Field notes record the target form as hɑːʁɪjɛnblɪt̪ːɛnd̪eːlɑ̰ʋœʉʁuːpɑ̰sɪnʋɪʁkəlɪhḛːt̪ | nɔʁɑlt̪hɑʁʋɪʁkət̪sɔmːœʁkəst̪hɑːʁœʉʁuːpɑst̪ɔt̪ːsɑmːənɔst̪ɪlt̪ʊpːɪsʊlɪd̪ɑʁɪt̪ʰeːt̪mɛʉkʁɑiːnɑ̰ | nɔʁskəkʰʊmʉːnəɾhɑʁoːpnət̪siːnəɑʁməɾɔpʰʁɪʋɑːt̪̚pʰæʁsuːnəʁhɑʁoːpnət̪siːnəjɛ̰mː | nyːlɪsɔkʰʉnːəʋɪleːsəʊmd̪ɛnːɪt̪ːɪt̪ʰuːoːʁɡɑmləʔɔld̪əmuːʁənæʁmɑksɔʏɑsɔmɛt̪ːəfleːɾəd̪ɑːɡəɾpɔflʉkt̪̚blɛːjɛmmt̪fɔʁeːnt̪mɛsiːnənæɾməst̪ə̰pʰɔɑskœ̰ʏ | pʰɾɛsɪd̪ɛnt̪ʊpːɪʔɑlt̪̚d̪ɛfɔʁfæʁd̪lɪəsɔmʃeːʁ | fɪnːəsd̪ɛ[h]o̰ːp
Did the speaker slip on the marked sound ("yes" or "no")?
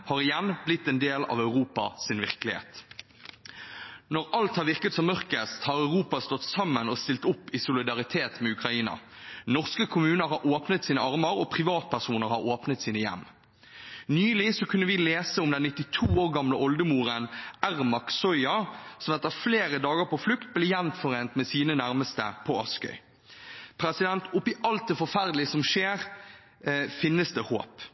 no